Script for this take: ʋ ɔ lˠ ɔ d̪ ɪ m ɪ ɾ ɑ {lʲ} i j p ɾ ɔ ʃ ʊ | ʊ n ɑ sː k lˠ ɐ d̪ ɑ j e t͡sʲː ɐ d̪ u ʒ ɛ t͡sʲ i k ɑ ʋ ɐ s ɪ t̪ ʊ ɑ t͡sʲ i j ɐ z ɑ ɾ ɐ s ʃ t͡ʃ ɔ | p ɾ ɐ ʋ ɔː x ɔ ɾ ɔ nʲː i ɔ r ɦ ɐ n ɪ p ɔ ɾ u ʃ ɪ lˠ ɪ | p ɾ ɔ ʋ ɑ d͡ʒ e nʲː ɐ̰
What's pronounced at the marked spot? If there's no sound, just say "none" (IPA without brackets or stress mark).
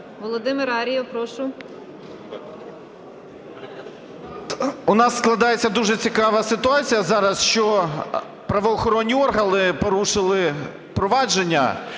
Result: ɾʲ